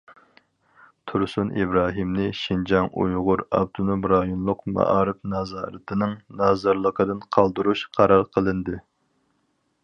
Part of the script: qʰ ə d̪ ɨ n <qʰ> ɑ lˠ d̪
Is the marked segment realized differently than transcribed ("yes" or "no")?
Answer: no